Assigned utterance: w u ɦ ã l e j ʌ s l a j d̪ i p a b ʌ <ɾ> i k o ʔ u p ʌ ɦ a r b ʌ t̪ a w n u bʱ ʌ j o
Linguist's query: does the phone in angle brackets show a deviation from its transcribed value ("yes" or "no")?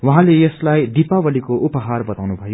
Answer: yes